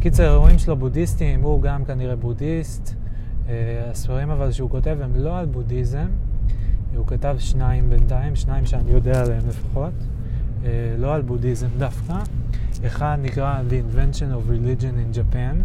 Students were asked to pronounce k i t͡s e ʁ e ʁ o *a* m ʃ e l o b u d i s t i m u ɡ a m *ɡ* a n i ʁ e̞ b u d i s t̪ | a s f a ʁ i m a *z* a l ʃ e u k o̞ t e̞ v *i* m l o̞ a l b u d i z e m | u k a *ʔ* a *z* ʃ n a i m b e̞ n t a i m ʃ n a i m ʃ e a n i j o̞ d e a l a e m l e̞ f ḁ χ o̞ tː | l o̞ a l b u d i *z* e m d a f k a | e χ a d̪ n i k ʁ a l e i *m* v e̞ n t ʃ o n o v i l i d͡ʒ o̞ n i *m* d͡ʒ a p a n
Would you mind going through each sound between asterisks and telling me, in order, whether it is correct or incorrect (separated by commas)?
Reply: incorrect, incorrect, incorrect, incorrect, incorrect, incorrect, correct, incorrect, incorrect